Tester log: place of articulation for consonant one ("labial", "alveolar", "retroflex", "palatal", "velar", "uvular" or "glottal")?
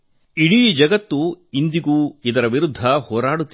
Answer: retroflex